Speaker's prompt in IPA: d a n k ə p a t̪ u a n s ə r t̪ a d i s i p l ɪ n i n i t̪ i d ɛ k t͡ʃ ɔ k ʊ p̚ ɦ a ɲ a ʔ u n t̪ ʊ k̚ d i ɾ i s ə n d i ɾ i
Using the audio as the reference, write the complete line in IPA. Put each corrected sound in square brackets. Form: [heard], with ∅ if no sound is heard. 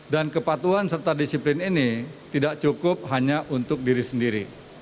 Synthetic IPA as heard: d a n k ə p a t̪ u a n s ə r t̪ a d i s i p l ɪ n i n i t̪ i d [a] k t͡ʃ [u] k ʊ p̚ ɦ a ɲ a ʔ u n t̪ ʊ k̚ d i ɾ i s ə n d i ɾ i